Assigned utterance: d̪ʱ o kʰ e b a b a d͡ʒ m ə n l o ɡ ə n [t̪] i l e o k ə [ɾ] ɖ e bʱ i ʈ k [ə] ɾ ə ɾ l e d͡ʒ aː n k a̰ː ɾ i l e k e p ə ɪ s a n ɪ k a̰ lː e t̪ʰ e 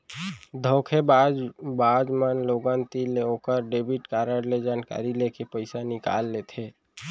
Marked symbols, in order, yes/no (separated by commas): yes, yes, no